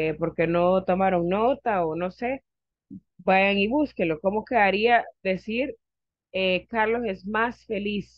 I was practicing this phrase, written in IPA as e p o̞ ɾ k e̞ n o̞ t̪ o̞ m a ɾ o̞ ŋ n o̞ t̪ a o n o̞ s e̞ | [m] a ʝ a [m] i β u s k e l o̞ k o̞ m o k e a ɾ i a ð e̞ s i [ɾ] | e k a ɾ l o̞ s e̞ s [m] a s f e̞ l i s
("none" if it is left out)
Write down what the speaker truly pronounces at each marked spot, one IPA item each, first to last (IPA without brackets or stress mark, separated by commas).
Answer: b, ŋ, ɾ, m